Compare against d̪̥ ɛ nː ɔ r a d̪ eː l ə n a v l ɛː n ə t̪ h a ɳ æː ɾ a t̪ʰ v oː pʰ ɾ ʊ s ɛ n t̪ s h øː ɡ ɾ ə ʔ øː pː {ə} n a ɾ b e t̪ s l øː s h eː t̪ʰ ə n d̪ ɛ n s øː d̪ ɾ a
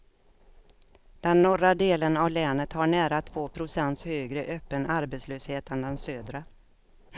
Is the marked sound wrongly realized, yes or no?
no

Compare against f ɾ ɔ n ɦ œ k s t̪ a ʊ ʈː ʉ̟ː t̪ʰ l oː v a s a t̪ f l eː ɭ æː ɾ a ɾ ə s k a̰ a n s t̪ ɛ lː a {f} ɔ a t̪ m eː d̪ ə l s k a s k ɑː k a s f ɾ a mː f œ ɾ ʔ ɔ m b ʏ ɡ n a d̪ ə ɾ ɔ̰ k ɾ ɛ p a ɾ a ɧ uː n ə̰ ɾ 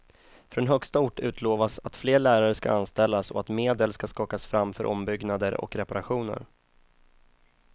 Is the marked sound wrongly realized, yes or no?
yes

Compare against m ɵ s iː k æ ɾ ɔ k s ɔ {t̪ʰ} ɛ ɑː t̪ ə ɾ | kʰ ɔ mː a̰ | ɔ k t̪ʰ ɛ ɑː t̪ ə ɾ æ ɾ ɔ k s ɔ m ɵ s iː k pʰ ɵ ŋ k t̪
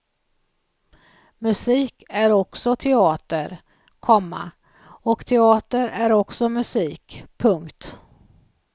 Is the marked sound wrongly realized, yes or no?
no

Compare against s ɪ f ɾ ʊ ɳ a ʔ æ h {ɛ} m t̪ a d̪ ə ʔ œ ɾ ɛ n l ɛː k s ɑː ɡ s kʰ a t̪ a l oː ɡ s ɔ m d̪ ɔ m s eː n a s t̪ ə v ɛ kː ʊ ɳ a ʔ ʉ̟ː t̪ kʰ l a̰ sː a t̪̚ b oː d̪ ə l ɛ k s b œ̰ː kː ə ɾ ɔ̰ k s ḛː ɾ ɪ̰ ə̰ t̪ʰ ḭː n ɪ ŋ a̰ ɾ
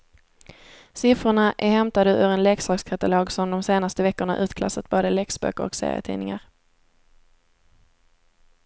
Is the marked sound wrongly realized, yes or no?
no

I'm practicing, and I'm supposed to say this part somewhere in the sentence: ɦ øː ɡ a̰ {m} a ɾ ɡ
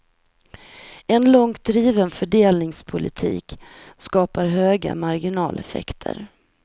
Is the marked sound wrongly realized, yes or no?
no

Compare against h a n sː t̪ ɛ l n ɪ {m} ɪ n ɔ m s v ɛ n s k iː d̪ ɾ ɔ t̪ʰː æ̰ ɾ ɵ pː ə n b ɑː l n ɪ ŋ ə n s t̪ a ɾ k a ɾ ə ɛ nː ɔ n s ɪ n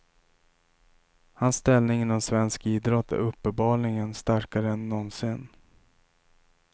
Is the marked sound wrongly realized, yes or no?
yes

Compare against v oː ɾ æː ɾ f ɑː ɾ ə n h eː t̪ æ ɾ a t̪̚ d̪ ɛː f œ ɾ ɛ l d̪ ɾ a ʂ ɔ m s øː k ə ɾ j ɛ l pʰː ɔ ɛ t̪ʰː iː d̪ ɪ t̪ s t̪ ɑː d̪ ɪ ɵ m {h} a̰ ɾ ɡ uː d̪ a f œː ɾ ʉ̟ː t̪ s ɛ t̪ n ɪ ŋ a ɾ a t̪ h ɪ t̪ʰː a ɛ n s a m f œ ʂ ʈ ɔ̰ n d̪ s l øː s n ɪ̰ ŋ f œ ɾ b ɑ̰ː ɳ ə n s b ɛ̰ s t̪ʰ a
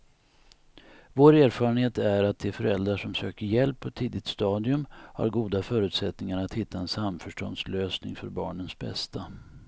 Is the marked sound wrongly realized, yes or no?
no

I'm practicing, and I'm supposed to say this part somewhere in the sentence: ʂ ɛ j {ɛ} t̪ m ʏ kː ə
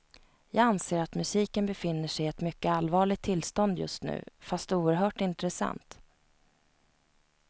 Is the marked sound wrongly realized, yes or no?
no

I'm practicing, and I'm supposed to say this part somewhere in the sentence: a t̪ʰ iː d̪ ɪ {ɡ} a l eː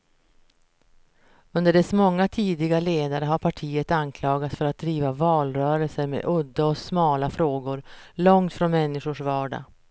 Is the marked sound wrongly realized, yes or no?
no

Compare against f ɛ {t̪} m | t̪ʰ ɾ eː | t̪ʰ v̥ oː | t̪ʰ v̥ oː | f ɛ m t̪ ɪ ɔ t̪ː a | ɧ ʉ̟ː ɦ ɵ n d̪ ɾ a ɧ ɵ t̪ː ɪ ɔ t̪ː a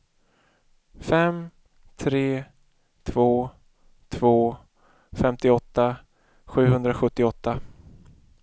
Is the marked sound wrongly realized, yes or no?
yes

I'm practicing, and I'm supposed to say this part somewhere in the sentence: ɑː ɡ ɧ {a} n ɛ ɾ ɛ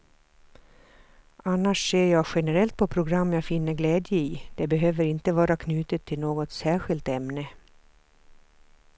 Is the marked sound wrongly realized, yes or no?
yes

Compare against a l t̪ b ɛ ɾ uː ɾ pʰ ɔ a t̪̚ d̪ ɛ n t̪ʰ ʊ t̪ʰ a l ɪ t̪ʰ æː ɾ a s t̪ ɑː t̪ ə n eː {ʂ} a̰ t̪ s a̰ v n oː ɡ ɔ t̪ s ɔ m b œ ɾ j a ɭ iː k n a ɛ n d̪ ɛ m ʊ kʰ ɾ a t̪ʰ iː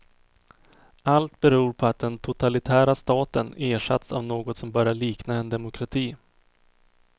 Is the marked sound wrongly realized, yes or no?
no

